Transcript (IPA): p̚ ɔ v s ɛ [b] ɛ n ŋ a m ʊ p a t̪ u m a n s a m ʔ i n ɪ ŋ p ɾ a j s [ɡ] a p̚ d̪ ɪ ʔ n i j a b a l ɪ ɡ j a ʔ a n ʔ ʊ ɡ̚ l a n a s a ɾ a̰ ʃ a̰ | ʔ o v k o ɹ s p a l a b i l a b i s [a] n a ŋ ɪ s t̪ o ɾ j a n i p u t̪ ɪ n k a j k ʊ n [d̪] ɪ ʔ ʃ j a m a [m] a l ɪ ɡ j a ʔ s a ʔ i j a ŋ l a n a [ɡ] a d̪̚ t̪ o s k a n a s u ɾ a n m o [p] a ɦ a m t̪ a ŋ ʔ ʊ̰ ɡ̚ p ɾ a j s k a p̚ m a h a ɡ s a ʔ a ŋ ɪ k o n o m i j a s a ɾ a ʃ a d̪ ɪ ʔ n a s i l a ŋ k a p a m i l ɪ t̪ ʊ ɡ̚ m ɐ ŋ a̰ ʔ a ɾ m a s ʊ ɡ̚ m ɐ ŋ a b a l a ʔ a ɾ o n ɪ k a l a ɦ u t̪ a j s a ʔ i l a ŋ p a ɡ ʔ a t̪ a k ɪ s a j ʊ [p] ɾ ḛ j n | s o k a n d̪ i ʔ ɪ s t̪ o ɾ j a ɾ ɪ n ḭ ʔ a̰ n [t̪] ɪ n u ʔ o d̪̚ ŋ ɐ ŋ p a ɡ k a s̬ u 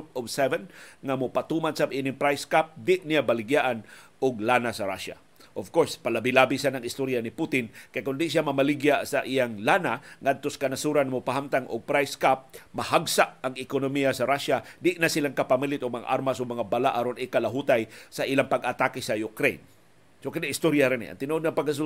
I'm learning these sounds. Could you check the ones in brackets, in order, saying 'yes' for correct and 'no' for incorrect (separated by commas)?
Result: no, no, yes, yes, yes, no, yes, no, yes